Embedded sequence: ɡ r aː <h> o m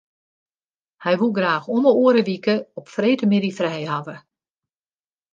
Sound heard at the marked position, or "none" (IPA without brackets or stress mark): x